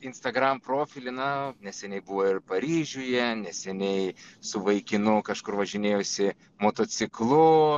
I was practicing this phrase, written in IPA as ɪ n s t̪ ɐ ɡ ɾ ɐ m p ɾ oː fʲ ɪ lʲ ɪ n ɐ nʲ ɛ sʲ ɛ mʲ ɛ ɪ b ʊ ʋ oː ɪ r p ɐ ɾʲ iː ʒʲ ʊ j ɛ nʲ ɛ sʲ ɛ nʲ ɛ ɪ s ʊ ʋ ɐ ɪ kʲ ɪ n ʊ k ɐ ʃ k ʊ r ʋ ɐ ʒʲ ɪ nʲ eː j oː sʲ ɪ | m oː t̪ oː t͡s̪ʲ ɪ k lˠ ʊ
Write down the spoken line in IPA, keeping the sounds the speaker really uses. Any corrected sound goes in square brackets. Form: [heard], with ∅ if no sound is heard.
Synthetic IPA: ɪ n s t̪ ɐ ɡ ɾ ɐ m p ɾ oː fʲ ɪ lʲ ɪ n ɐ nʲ ɛ sʲ ɛ [nʲ] ɛ ɪ b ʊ ʋ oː ɪ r p ɐ ɾʲ iː ʒʲ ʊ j ɛ nʲ ɛ sʲ ɛ nʲ ɛ ɪ s ʊ ʋ ɐ ɪ kʲ ɪ n ʊ k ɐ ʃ k ʊ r ʋ ɐ ʒʲ ɪ nʲ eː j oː sʲ ɪ | m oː t̪ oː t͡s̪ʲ ɪ k lˠ ʊ

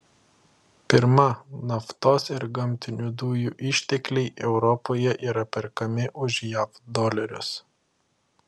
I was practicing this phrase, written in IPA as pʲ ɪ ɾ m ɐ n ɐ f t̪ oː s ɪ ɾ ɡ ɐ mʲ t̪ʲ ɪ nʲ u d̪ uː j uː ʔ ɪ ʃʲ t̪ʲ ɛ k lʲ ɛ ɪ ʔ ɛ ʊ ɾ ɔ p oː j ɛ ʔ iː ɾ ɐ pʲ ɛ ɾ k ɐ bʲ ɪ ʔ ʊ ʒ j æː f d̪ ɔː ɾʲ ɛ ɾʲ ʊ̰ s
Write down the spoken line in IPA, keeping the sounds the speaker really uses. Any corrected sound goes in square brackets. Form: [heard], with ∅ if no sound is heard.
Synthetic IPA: pʲ ɪ ɾ m ɐ n ɐ f t̪ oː s ɪ ɾ ɡ ɐ mʲ t̪ʲ ɪ nʲ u d̪ uː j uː ʔ ɪ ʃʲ t̪ʲ ɛ k lʲ ɛ ɪ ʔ ɛ ʊ ɾ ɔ p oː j ɛ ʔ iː ɾ ɐ pʲ ɛ ɾ k ɐ [mʲ] ɪ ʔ ʊ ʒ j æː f d̪ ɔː [lʲ] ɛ ɾʲ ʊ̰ s

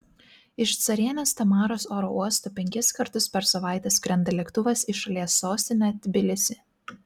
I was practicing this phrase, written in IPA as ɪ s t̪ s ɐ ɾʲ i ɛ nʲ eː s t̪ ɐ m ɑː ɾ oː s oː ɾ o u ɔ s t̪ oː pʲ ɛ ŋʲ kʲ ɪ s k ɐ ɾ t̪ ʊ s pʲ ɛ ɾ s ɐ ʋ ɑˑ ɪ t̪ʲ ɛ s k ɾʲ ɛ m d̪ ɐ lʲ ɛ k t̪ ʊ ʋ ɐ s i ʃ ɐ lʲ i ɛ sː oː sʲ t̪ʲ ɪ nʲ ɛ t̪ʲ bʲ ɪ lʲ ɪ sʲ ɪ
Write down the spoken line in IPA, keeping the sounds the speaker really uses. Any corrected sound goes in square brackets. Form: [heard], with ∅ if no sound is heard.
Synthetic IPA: ɪ [ʃ] t̪ s ɐ ɾʲ i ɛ nʲ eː s t̪ ɐ m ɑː ɾ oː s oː ɾ o u ɔ s t̪ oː pʲ ɛ ŋʲ kʲ ɪ s k ɐ ɾ t̪ ʊ s pʲ ɛ ɾ s ɐ ʋ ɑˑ ɪ t̪ʲ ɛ s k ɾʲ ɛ [n] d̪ ɐ lʲ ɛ k t̪ ʊ ʋ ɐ s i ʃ ɐ lʲ i ɛ sː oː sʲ t̪ʲ ɪ nʲ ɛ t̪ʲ bʲ ɪ lʲ ɪ sʲ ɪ

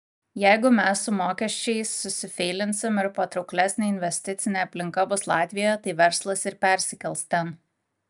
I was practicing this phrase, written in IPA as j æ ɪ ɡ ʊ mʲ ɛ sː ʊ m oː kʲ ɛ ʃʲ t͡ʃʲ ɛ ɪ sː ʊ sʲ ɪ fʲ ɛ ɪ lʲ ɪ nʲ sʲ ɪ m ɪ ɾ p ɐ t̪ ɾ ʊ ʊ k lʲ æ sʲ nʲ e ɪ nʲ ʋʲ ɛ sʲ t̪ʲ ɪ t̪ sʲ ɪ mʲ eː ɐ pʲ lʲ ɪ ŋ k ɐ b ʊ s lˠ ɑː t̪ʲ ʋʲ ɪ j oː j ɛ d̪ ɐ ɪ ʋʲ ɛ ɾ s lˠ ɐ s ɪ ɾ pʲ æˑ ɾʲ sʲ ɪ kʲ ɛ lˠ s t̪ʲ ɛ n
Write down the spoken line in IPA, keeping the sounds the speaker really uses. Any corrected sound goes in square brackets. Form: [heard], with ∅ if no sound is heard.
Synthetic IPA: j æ ɪ ɡ ʊ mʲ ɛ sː ʊ m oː kʲ ɛ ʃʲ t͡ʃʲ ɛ ɪ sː ʊ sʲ ɪ fʲ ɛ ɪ lʲ ɪ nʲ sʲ ɪ m ɪ ɾ p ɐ t̪ ɾ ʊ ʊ k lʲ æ sʲ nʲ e ɪ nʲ ʋʲ ɛ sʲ t̪ʲ ɪ t̪ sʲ ɪ [nʲ] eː ɐ pʲ lʲ ɪ ŋ k ɐ b ʊ s lˠ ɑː t̪ʲ ʋʲ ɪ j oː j ɛ [t̪] ɐ ɪ ʋʲ ɛ ɾ s lˠ ɐ s ɪ ɾ pʲ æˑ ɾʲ sʲ ɪ kʲ ɛ lˠ s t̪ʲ ɛ n

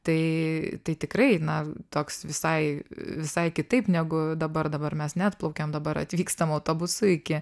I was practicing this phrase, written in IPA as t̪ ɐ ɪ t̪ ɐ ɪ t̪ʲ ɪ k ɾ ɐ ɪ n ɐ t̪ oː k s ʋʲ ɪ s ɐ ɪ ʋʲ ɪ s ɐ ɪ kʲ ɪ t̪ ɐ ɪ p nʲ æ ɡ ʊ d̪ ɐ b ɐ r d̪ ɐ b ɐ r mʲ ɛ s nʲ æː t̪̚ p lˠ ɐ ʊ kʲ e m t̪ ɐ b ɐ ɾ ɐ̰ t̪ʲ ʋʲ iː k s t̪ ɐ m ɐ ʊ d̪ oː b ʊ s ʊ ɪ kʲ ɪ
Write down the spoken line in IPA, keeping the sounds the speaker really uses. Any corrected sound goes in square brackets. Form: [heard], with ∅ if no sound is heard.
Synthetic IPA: t̪ ɐ ɪ t̪ ɐ ɪ t̪ʲ ɪ k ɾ ɐ ɪ n ɐ t̪ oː k s ʋʲ ɪ s ɐ ɪ ʋʲ ɪ s ɐ ɪ kʲ ɪ t̪ ɐ ɪ p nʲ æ ɡ ʊ d̪ ɐ b ɐ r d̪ ɐ b ɐ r mʲ ɛ s nʲ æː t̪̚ p lˠ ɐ ʊ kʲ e m [d̪] ɐ b ɐ ɾ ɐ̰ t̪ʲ ʋʲ iː k s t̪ ɐ m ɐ ʊ [t̪] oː b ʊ s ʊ ɪ kʲ ɪ

